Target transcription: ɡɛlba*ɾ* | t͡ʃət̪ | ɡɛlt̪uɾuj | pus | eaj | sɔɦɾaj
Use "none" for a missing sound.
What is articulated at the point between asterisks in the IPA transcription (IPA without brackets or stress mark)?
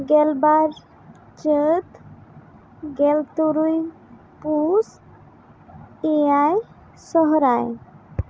ɾ